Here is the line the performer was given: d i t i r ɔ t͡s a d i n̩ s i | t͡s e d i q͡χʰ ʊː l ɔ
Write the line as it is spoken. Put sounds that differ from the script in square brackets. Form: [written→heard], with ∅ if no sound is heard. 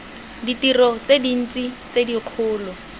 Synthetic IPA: d i t i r ɔ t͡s [a→e] d i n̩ [s→t͡s] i | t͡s e d i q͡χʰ ʊː l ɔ

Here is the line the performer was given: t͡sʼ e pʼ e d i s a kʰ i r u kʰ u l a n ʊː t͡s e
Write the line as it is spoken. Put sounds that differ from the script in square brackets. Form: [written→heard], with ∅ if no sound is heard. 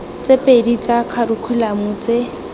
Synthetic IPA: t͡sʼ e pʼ e d i [s→t͡s] a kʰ [i→a] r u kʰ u l a [n→m] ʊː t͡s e

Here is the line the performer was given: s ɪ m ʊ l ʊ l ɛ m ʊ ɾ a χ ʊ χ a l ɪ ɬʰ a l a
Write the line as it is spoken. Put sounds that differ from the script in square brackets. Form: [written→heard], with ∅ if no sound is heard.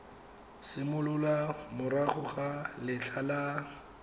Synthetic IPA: s ɪ m ʊ l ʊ l [ɛ→a] m ʊ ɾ a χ ʊ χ a l ɪ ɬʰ a l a

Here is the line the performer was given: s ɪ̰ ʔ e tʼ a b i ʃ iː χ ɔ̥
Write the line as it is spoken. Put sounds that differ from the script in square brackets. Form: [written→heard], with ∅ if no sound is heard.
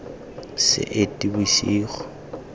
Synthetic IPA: s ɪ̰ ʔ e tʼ [a→i] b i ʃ iː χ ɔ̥

